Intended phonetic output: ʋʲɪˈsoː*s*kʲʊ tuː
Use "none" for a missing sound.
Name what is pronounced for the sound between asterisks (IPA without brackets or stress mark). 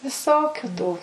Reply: none